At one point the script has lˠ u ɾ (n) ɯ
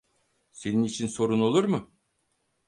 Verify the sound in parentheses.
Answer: incorrect: m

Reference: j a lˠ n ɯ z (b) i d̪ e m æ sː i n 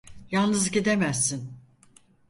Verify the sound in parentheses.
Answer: incorrect: ɟ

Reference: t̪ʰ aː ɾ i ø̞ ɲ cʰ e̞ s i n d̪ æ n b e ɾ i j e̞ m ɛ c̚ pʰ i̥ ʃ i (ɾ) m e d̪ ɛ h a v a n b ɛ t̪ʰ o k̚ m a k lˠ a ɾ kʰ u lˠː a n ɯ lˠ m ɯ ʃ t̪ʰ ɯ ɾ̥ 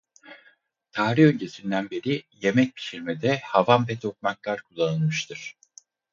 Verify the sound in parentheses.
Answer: correct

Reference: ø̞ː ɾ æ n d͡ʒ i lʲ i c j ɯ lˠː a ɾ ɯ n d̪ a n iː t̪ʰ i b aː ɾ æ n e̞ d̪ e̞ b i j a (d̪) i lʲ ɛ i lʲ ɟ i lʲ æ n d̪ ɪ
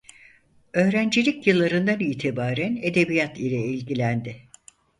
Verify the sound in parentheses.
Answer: incorrect: t̪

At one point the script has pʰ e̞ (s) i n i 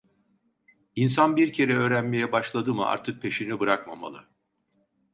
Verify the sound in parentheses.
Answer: incorrect: ʃ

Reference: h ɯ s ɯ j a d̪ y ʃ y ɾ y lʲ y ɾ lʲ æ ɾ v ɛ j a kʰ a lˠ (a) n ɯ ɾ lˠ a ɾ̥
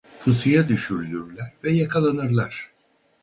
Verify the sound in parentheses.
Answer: correct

